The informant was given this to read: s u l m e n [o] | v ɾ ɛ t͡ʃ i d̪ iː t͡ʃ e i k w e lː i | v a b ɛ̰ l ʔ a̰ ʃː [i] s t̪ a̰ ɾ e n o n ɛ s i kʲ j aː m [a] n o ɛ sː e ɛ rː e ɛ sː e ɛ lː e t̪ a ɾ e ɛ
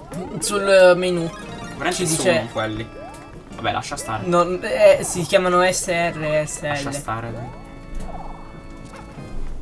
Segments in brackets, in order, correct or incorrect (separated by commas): incorrect, incorrect, correct